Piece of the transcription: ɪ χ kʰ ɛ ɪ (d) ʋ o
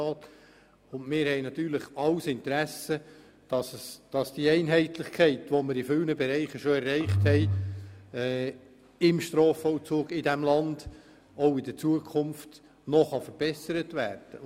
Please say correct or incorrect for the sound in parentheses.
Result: incorrect: t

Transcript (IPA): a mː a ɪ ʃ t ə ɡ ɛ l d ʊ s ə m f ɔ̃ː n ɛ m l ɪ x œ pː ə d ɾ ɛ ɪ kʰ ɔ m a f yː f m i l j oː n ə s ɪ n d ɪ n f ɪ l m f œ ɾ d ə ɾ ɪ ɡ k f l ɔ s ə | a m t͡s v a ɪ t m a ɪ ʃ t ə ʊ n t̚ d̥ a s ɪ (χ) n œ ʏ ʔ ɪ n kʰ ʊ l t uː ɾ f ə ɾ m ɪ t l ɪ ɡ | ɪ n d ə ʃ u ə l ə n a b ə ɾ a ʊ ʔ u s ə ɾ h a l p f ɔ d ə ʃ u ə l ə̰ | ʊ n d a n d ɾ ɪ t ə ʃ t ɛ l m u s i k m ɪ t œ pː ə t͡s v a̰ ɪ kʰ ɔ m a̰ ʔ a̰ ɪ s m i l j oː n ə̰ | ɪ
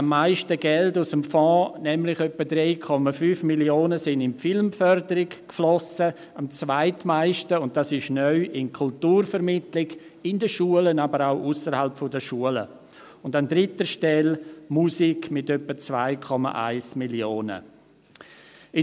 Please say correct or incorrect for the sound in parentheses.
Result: incorrect: ʃ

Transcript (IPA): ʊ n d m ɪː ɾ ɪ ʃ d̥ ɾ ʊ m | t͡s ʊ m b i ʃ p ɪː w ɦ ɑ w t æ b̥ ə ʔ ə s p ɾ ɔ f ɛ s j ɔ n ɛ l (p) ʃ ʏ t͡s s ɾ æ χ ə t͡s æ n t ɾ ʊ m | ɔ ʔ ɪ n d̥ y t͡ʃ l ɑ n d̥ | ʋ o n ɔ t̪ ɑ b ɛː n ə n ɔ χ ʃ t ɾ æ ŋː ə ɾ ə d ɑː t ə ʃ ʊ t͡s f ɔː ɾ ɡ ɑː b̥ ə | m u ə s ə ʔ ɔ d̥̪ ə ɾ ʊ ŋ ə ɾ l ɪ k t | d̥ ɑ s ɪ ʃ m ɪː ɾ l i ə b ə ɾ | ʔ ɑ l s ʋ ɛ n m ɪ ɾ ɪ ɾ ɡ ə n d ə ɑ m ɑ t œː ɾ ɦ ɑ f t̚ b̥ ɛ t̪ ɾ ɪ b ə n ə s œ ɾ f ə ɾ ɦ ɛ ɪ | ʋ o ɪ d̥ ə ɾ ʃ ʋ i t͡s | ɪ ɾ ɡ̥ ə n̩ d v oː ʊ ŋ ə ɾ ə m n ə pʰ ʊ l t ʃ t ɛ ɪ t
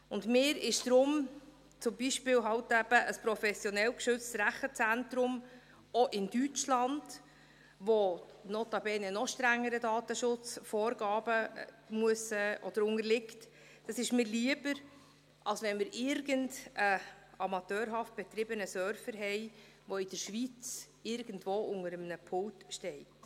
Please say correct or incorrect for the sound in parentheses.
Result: incorrect: k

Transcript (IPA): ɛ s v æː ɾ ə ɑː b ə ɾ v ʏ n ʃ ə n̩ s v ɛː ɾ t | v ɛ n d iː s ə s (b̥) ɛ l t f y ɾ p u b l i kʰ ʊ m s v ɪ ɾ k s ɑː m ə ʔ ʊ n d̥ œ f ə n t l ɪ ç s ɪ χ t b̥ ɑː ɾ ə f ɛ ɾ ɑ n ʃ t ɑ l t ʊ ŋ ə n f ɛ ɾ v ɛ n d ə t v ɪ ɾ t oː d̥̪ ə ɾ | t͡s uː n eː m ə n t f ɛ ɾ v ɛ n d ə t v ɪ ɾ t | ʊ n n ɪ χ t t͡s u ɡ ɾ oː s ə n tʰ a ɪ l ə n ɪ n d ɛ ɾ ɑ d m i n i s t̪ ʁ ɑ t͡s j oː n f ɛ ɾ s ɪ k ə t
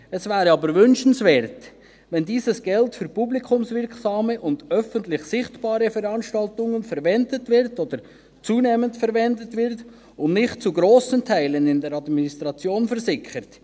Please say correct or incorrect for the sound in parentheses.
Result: incorrect: ɡ̥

